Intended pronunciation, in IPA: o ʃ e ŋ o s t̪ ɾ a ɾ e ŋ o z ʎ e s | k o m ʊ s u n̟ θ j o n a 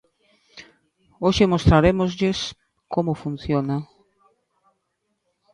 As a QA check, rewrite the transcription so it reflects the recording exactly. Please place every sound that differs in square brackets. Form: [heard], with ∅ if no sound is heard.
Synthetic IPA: o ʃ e [m] o s t̪ ɾ a ɾ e [m] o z ʎ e s | k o m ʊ [f] u n̟ θ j o n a